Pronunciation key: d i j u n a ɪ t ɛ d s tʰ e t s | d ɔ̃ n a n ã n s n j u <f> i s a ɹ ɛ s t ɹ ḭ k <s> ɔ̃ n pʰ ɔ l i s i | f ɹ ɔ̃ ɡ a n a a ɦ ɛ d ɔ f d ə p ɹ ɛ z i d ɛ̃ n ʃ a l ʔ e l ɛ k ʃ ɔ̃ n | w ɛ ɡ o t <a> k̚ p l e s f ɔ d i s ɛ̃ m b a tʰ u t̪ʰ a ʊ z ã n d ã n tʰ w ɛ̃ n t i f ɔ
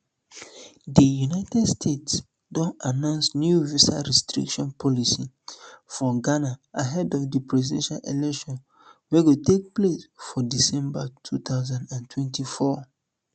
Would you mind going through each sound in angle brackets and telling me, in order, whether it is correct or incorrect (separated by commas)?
incorrect, incorrect, incorrect